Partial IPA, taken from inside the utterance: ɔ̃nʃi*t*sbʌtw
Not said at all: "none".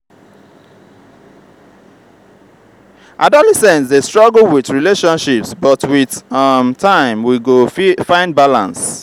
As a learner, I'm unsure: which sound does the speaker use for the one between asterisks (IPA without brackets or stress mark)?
p